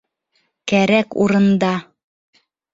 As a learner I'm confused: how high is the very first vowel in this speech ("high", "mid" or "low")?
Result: low